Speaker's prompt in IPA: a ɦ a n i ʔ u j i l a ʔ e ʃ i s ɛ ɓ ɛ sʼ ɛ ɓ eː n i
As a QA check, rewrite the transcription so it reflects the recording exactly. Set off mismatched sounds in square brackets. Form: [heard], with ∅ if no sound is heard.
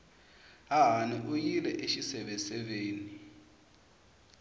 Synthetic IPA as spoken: a ɦ a n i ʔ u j i l [ɛ] ʔ e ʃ i s ɛ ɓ ɛ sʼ ɛ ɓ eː n i